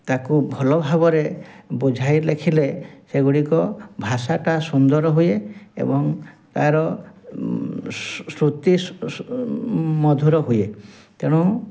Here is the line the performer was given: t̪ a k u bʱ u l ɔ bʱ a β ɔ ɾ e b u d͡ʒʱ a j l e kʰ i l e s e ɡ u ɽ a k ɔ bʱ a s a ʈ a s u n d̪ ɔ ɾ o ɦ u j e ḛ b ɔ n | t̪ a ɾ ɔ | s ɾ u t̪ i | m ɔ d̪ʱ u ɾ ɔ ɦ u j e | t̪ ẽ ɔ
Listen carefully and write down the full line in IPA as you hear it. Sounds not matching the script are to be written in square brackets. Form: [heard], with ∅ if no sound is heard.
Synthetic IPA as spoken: t̪ a k u bʱ [ɔ] l ɔ bʱ a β ɔ ɾ e b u d͡ʒʱ a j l e kʰ i l e s e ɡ u ɽ [i] k ɔ bʱ a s a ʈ a s u n d̪ ɔ ɾ [ɔ] ɦ u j e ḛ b ɔ [ŋ] | t̪ a ɾ ɔ | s ɾ u t̪ i | m ɔ d̪ʱ u ɾ ɔ ɦ u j e | t̪ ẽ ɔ